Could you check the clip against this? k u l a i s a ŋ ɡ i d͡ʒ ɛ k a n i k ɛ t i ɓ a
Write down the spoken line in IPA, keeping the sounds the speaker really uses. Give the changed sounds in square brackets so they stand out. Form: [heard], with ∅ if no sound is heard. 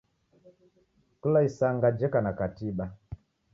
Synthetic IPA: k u l a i s a ŋ ɡ [a] d͡ʒ ɛ k a n [a] k [a] t i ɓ a